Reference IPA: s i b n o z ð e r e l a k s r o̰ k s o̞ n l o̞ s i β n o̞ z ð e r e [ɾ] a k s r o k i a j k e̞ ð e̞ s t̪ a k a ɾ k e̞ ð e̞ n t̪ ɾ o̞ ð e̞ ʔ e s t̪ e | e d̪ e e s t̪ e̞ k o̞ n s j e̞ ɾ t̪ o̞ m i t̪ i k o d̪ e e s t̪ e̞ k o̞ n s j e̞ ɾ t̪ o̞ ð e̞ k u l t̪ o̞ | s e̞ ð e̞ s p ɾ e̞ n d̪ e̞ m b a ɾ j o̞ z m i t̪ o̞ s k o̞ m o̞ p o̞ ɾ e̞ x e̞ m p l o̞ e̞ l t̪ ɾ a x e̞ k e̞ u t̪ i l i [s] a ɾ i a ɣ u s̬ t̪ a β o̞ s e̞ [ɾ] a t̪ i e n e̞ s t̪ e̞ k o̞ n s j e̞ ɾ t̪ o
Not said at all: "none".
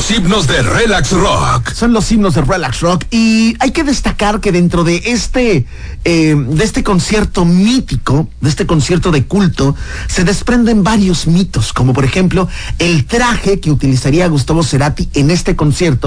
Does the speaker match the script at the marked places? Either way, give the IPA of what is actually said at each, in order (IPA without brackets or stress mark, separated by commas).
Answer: l, s, ɾ